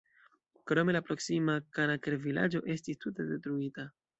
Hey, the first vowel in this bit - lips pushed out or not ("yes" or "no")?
yes